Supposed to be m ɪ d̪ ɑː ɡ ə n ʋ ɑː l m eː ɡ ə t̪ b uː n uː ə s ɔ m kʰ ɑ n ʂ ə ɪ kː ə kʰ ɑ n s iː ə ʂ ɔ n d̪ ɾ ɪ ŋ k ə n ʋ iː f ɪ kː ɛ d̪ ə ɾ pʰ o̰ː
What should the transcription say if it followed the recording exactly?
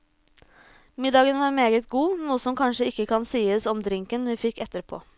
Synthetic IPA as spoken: m ɪ d̪ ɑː ɡ ə n ʋ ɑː ɾ m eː ɡ ə t̪ ɡ uː n uː ə s ɔ m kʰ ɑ n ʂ ə ɪ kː ə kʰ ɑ n s iː ə s ɔ m d̪ ɾ ɪ ŋ k ə n ʋ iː f ɪ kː ɛ t̪ ə ɾ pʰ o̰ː

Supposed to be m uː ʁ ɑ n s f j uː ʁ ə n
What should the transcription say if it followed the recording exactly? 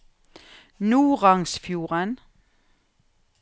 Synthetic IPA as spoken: n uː ʁ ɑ ŋ s f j uː ʁ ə n

